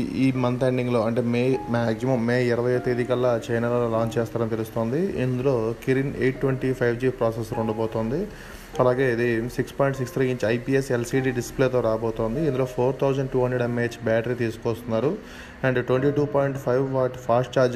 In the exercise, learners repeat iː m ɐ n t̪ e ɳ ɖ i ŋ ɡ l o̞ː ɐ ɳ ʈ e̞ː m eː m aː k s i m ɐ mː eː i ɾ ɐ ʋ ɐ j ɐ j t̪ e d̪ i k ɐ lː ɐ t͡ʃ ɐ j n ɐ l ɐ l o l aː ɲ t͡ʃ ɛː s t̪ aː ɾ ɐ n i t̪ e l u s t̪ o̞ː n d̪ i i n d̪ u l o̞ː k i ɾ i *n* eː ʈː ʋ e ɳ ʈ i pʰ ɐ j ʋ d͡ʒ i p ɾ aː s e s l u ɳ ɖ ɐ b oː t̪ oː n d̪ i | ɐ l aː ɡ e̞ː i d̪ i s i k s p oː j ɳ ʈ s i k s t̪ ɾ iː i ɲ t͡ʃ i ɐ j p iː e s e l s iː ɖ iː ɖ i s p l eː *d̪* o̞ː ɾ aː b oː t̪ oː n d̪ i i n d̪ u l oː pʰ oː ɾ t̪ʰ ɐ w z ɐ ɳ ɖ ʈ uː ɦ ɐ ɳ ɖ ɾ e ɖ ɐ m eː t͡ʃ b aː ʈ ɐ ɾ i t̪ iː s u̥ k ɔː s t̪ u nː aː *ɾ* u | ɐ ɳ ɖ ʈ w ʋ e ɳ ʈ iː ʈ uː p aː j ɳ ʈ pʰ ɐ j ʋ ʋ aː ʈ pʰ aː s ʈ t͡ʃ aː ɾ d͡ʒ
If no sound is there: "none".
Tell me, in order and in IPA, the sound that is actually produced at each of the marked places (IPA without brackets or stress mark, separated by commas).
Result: n, t̪, ɾ